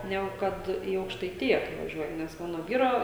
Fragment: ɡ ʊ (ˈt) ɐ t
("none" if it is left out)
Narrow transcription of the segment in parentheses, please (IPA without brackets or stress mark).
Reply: k